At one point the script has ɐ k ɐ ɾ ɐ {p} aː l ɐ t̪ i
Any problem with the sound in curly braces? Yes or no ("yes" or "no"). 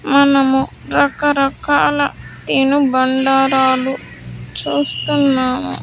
yes